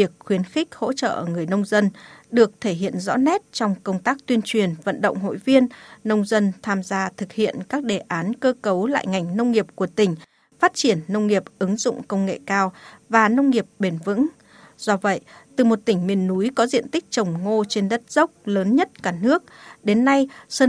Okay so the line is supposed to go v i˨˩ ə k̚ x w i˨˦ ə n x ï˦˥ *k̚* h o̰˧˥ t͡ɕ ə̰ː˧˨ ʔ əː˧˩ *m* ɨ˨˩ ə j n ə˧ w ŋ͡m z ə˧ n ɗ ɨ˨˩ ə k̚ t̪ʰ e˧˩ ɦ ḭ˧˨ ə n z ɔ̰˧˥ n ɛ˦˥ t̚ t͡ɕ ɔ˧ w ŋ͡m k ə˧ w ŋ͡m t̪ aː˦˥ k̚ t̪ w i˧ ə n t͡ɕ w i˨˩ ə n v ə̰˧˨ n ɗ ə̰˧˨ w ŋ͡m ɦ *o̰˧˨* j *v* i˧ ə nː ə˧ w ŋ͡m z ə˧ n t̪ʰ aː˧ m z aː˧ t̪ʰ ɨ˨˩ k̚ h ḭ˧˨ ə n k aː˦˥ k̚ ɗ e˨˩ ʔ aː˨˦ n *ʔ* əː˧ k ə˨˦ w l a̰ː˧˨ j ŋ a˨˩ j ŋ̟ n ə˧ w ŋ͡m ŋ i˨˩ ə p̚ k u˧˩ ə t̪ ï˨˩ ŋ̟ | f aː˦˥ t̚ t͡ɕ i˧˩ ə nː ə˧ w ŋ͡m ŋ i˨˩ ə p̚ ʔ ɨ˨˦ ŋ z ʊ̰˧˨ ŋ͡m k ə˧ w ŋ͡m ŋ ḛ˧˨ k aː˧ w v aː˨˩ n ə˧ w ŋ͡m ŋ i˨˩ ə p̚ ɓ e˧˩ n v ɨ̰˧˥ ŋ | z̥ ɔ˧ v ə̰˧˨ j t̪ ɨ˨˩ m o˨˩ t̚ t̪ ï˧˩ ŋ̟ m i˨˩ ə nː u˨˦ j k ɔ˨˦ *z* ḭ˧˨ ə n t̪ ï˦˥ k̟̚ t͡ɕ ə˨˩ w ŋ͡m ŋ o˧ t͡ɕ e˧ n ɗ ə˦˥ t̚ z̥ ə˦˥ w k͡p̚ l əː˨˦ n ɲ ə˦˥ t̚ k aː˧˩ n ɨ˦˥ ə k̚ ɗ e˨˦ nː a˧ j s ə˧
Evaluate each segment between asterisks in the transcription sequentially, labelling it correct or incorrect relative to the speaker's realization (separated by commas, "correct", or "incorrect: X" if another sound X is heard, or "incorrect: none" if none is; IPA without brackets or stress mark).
correct, incorrect: ŋ, correct, correct, incorrect: k, correct